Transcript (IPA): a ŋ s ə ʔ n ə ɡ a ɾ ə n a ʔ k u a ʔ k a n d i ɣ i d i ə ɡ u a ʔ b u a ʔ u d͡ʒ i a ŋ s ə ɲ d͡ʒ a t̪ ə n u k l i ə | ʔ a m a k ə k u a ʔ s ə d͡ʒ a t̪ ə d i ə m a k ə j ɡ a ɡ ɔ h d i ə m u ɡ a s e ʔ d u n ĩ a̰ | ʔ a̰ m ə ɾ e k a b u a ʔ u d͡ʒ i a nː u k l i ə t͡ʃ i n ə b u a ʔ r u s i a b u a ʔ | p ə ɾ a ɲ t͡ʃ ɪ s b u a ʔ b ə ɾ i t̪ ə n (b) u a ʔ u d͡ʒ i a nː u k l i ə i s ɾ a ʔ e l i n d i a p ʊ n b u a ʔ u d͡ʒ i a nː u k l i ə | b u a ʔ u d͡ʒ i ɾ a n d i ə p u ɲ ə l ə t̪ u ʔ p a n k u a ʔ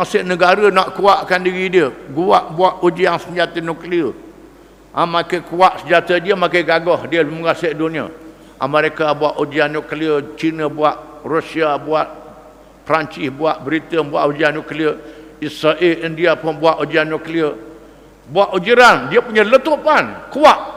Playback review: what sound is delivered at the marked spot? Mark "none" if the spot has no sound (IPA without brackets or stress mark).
b